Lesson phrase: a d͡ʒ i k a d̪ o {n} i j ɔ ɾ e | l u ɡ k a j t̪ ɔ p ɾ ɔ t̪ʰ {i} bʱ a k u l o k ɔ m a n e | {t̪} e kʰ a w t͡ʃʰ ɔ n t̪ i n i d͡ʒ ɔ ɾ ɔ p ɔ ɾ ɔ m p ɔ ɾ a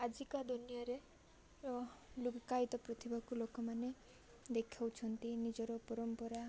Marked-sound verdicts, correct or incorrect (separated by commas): correct, correct, incorrect